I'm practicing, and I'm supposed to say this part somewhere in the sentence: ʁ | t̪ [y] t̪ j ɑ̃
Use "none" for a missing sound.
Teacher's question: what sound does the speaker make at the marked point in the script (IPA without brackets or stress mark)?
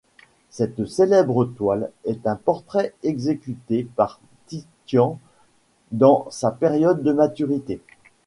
i